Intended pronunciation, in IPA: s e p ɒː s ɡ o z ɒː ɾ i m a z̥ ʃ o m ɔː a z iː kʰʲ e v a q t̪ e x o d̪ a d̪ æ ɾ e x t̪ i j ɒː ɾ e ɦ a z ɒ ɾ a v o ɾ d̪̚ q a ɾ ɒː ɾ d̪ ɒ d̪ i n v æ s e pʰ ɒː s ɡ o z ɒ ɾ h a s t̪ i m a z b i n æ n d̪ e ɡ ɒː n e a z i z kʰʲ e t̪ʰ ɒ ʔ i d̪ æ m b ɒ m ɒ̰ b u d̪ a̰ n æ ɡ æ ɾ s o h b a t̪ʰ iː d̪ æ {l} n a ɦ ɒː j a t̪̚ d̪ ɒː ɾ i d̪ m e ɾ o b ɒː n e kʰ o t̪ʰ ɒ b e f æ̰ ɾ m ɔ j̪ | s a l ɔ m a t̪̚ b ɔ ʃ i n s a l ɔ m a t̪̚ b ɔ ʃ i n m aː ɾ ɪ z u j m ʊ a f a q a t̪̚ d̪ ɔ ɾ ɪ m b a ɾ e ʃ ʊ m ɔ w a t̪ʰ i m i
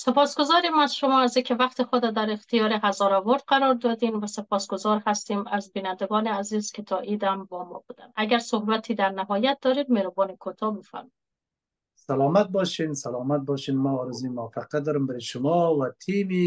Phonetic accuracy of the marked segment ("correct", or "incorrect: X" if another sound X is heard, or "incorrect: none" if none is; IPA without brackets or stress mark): incorrect: ɾ